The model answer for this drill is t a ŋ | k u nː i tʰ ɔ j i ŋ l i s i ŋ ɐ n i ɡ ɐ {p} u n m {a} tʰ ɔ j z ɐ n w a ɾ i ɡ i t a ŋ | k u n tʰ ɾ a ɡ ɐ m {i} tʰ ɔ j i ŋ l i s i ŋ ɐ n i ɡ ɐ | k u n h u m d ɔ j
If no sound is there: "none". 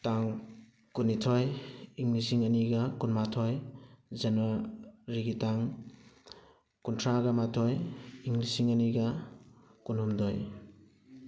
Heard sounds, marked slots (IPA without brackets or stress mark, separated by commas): k, a, a